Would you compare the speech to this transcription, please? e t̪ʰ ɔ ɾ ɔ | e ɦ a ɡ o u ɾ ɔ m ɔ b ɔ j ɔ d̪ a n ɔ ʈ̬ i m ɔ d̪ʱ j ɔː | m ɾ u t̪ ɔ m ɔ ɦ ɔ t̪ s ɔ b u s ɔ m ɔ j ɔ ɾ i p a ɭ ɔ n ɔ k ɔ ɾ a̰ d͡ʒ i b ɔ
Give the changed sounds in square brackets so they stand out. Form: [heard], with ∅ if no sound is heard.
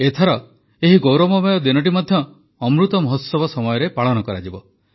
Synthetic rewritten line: e t̪ʰ ɔ ɾ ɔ | e ɦ [i] ɡ o [w] ɾ ɔ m ɔ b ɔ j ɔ d̪ [i] n ɔ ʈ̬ i m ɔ d̪ʱ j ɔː | m ɾ u t̪ ɔ m ɔ ɦ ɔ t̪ s ɔ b [ɔ] s ɔ m ɔ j ɔ ɾ [e] p a ɭ ɔ n ɔ k ɔ ɾ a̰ d͡ʒ i b ɔ